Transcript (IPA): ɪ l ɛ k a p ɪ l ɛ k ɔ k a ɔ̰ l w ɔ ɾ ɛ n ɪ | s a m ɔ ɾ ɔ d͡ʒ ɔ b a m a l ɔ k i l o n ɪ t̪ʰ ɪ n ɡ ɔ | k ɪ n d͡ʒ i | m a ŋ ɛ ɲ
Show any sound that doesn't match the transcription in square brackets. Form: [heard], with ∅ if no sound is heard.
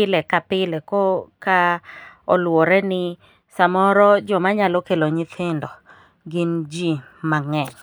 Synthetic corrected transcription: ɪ l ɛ k a p ɪ l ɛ k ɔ k a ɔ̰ l w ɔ ɾ ɛ n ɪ | s a m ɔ ɾ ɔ d͡ʒ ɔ [m] a [ɲ] a l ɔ k [e] l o [ɲ] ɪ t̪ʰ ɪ n [d] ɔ | [ɡ] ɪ n d͡ʒ i | m a ŋ ɛ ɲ